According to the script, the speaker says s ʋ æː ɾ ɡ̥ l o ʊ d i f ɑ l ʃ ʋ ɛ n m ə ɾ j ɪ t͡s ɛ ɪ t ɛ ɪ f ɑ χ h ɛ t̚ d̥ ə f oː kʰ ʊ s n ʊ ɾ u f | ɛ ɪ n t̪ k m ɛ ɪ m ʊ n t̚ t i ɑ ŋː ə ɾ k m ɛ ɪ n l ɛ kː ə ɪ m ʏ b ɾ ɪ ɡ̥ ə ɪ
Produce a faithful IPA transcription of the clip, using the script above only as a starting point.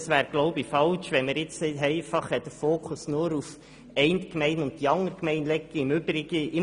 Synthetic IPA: s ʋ æː ɾ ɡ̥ l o ʊ b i f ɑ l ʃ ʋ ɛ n m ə ɾ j ɪ t͡s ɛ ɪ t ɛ ɪ f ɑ χ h ɛ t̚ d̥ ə f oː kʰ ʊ s n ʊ ɾ u f | ɛ ɪ n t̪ k m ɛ ɪ n ʊ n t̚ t i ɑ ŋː ə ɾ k m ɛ ɪ n l ɛ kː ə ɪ m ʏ b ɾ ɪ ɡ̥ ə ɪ